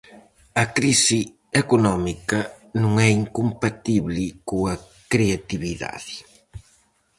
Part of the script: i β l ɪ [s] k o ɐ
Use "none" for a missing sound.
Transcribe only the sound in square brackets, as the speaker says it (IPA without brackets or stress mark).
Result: none